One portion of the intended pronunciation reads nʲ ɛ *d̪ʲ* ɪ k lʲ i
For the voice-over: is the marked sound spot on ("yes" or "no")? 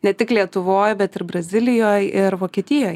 no